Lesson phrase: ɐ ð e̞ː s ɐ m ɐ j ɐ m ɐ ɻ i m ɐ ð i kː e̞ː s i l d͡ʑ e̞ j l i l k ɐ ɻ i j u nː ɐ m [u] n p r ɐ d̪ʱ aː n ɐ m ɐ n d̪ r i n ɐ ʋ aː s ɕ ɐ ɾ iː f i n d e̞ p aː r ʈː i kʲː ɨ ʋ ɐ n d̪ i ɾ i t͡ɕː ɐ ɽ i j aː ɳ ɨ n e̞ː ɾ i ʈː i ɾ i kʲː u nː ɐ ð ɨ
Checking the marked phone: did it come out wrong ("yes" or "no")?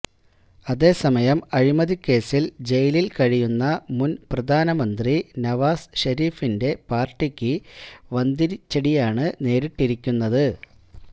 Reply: no